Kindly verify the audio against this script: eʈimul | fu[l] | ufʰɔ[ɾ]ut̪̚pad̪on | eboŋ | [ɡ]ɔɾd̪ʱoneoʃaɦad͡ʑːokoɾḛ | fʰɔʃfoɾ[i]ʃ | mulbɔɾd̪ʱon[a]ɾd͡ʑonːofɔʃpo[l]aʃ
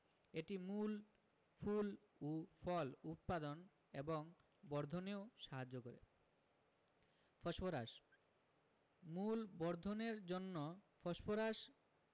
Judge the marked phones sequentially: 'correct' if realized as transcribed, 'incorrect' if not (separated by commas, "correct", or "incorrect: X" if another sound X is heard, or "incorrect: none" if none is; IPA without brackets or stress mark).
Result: correct, incorrect: l, incorrect: b, incorrect: a, incorrect: e, incorrect: ɾ